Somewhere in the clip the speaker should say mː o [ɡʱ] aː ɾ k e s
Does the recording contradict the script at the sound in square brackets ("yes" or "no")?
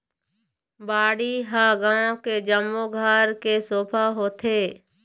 no